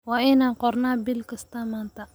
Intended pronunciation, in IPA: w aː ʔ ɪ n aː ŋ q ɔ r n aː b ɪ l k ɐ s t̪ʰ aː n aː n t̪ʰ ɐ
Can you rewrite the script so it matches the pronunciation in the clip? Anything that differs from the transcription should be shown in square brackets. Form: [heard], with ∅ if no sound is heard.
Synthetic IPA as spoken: w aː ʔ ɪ n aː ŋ q ɔ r n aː b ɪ l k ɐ s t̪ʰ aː [m] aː n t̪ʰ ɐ